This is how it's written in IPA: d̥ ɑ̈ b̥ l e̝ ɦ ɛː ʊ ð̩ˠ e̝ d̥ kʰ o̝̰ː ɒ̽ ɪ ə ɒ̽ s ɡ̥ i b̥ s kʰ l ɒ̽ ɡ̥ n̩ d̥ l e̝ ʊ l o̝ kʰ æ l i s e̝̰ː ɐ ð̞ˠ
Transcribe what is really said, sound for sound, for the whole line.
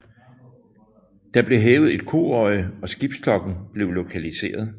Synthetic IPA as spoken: d̥ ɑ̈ b̥ l e̝ ɦ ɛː ʊ ð̩ˠ e̝ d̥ kʰ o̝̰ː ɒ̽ ɪ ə ɒ̽ s ɡ̥ i b̥ s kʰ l ɒ̽ ɡ̥ n̩ b̥ l e̝ ʊ l o̝ kʰ æ l i s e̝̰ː ɐ ð̞ˠ